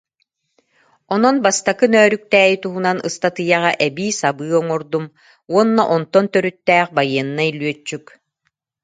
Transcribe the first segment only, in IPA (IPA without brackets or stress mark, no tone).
ɔ